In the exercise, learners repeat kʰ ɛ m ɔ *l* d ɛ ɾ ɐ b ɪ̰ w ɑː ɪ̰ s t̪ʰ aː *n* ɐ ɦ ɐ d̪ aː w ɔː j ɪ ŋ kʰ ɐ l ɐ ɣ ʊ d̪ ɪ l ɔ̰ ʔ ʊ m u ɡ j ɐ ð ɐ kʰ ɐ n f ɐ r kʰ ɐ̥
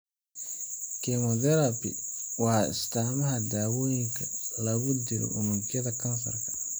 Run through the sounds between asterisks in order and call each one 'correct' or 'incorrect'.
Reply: incorrect, incorrect

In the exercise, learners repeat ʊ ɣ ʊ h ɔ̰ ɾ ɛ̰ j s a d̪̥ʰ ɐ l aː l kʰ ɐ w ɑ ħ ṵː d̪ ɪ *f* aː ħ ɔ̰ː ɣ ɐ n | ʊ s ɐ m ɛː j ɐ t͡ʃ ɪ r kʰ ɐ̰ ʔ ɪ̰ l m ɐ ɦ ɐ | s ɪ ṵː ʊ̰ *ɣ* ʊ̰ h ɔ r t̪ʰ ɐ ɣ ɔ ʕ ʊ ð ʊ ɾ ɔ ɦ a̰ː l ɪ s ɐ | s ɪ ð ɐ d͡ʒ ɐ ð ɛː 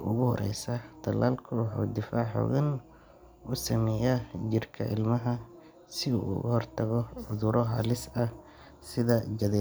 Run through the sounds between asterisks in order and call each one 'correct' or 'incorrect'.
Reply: correct, correct

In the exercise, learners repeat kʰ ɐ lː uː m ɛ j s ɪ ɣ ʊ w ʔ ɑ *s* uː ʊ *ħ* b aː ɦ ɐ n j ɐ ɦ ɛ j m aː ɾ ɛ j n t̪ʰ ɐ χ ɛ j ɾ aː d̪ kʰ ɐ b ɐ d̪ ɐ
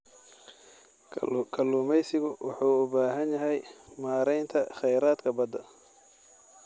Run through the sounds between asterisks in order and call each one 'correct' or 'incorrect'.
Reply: incorrect, incorrect

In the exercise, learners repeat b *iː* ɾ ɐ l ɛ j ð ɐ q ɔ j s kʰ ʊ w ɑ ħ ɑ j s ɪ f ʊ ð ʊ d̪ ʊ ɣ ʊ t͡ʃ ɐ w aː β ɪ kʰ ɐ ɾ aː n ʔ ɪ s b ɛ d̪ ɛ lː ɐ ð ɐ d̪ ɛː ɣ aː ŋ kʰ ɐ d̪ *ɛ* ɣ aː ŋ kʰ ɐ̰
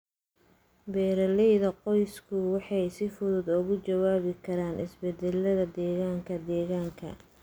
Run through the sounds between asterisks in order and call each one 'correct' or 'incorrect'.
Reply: incorrect, incorrect

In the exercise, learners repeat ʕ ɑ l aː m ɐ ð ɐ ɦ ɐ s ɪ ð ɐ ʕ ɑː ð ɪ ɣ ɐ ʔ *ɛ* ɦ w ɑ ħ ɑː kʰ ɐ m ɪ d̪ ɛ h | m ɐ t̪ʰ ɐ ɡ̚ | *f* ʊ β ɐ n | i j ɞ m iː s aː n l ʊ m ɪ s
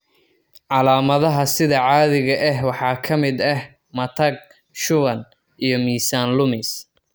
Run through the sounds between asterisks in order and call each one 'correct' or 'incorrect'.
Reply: correct, incorrect

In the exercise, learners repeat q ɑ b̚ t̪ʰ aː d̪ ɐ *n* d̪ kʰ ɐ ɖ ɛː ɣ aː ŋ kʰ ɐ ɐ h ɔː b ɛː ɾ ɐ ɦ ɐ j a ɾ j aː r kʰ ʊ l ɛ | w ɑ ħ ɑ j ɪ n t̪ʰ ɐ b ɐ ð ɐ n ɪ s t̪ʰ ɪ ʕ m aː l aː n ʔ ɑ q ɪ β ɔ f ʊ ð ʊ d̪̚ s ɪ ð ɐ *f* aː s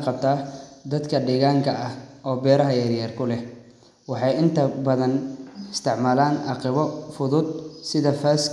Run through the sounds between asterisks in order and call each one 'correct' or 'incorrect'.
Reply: incorrect, correct

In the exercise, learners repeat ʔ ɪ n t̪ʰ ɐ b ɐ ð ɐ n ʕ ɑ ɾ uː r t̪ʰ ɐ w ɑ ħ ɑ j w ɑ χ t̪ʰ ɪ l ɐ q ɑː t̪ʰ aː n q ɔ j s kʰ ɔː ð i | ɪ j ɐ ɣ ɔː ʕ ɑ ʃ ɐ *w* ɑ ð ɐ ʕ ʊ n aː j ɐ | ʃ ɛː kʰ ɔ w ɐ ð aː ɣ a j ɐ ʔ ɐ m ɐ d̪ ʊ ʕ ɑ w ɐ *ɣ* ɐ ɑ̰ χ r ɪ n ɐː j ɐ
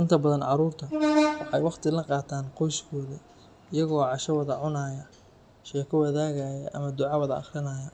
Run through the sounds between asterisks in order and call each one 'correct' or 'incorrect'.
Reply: correct, incorrect

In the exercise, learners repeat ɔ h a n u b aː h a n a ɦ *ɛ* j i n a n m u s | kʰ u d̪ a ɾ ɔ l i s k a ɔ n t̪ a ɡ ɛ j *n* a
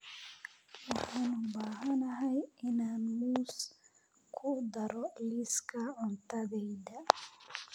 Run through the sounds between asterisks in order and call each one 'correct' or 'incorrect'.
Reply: incorrect, incorrect

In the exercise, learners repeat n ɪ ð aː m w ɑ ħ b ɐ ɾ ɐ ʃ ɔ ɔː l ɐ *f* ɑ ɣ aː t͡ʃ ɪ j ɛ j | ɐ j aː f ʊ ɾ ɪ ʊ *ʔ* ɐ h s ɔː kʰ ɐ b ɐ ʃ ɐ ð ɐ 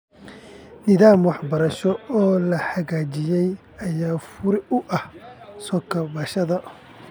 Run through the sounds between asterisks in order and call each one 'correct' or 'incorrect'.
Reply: incorrect, correct

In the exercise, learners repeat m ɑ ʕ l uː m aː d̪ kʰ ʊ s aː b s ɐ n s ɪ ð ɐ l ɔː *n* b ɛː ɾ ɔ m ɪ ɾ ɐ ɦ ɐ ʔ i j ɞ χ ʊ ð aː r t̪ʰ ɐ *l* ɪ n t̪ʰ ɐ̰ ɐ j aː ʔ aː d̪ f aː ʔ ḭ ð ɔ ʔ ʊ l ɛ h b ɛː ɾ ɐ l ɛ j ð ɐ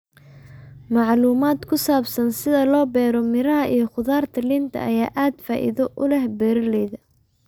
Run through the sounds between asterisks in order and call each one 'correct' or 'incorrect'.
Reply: incorrect, correct

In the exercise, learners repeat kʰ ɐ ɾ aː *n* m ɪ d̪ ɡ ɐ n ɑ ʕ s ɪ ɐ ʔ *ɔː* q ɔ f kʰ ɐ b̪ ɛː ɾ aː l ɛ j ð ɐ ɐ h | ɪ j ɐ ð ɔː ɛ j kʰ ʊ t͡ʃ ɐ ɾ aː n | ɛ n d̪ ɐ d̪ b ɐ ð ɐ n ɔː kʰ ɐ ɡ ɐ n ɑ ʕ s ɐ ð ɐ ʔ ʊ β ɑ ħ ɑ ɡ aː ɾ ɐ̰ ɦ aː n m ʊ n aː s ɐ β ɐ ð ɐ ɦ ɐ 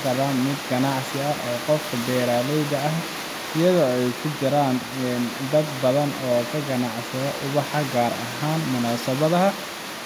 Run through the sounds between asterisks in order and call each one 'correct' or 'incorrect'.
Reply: correct, correct

